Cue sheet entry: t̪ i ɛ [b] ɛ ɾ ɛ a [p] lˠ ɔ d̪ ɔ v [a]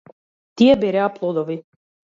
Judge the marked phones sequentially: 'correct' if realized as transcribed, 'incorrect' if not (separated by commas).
correct, correct, incorrect